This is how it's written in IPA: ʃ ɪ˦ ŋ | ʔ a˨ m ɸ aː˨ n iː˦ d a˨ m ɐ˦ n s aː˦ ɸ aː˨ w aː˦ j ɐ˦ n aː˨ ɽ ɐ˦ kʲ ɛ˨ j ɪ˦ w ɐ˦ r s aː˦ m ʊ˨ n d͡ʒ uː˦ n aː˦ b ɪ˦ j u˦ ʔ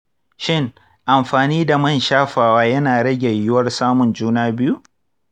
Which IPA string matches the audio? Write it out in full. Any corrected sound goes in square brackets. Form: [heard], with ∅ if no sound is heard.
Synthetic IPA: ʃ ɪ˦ ŋ | ʔ a˨ m ɸ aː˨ n iː˦ d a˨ m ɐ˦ n [ʃ] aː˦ ɸ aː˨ w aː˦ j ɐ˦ n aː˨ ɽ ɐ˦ [ɡʲ] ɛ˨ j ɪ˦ w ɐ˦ r s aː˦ m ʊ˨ n d͡ʒ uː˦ n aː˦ b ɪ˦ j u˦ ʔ